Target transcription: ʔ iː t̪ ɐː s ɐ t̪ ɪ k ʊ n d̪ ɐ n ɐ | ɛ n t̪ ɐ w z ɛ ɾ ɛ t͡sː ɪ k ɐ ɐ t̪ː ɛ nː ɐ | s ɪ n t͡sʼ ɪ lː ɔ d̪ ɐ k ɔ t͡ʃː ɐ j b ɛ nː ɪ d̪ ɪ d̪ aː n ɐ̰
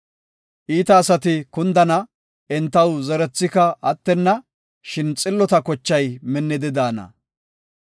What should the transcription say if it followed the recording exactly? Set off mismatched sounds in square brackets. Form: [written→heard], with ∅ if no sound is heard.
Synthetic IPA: ʔ iː t̪ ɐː s ɐ t̪ ɪ k ʊ n d̪ ɐ n ɐ | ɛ n t̪ ɐ w z ɛ ɾ ɛ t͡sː ɪ k ɐ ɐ t̪ː ɛ nː ɐ | [s→ʃ] ɪ n t͡sʼ ɪ lː ɔ [d̪→t̪] ɐ k ɔ t͡ʃː ɐ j [b→m] ɛ nː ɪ d̪ ɪ d̪ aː n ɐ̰